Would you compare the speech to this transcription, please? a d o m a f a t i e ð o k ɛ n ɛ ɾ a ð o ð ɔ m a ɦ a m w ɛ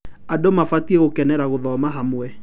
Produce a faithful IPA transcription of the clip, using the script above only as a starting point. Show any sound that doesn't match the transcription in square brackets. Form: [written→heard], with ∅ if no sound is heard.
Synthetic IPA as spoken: a d o m a f a t i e [ð→ɣ] o k ɛ n ɛ ɾ a [ð→ɣ] o ð ɔ m a ɦ a m w ɛ